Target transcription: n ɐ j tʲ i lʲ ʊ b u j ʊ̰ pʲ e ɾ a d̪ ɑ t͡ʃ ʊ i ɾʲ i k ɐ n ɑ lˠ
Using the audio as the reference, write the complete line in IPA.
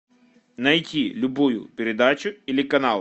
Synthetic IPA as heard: n ɐ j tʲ i lʲ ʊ b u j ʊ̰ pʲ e ɾ e d̪ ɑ t͡ʃ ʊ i lʲ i k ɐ n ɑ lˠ